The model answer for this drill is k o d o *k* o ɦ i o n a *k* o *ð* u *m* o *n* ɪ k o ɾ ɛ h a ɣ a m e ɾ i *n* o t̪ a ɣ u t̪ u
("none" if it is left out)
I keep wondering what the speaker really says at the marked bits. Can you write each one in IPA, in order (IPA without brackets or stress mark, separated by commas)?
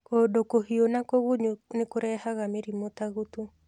k, k, ɣ, ɲ, n, m